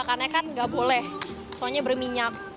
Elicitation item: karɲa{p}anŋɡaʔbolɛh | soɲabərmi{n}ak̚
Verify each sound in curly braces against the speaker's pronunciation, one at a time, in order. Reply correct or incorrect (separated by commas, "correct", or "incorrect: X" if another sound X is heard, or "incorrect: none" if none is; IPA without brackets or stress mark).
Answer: incorrect: k, incorrect: ɲ